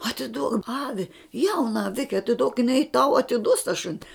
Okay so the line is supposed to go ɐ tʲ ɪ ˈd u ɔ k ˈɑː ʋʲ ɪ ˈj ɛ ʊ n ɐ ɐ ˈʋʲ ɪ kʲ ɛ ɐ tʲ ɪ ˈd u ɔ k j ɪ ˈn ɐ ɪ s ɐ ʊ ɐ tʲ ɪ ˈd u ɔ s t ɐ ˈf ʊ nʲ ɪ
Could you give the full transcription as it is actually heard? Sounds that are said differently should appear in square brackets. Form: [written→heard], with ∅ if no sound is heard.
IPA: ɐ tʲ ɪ ˈd u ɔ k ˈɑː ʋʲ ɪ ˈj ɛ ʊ n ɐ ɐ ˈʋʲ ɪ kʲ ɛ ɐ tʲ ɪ ˈd u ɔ k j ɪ ˈn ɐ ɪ [s→t] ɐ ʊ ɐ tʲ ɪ ˈd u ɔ s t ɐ [ˈf→ˈʃ] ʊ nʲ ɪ